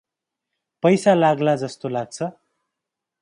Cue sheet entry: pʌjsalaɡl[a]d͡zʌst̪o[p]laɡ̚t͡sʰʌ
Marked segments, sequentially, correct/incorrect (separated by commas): correct, incorrect